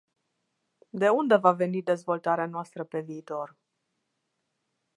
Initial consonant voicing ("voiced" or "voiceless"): voiced